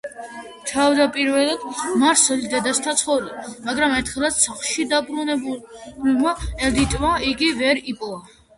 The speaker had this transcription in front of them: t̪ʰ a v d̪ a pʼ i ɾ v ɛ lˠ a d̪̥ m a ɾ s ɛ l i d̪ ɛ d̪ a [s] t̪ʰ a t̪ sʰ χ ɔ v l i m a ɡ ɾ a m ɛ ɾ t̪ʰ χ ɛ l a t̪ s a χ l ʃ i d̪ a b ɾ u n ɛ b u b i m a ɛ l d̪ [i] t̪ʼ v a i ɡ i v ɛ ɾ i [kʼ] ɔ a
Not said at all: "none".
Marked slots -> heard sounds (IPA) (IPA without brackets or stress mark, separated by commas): s, i, pʼ